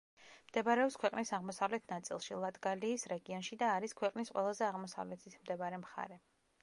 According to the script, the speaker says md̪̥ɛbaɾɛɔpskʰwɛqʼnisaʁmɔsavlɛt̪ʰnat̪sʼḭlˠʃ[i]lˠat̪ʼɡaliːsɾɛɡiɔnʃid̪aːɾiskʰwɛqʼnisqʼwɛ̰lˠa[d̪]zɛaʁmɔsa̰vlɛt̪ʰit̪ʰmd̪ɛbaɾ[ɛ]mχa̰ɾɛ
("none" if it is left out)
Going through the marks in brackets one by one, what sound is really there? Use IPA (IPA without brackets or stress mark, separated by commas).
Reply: i, none, ɛ